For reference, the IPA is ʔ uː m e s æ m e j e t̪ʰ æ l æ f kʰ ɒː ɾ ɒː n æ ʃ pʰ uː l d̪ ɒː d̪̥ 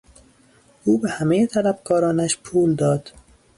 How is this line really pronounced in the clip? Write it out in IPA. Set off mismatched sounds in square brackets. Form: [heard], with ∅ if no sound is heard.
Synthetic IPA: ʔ uː [b] e [h] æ m e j e t̪ʰ æ l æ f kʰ ɒː ɾ ɒː n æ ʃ pʰ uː l d̪ ɒː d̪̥